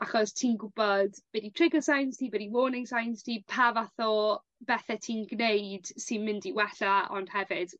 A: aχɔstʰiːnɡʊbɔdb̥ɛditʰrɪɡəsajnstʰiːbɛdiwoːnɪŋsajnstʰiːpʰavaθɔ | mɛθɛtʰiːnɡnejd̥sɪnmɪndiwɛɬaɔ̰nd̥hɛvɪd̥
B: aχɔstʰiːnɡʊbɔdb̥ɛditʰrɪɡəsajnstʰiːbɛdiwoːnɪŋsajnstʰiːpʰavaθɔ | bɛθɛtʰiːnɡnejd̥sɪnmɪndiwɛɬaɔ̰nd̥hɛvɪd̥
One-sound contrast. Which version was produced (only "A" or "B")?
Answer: B